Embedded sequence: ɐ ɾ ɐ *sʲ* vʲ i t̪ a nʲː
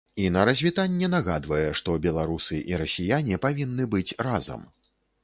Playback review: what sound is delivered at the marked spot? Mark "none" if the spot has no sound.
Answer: zʲ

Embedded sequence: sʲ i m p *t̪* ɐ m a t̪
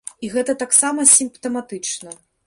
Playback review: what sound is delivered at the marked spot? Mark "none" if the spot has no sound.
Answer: t̪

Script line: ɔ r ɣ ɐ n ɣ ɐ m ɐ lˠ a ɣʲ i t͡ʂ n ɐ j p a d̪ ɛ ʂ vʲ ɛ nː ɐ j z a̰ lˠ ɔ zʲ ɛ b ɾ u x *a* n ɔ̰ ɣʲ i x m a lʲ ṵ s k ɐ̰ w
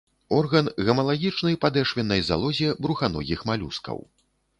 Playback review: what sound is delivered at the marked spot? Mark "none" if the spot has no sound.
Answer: a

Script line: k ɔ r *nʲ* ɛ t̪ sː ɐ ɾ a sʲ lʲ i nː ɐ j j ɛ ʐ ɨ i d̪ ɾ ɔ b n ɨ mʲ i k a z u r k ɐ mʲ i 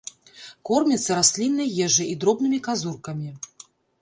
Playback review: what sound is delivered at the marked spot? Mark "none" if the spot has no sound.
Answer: mʲ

